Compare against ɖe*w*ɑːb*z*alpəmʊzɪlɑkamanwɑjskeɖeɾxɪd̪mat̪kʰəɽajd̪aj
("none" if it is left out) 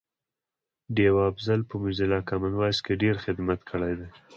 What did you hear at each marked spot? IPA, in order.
w, z

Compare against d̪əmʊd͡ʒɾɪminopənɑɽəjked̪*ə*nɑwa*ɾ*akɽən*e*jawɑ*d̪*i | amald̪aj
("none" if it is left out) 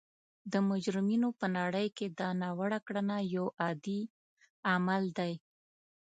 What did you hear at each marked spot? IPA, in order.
ɑ, ɽ, a, d̪

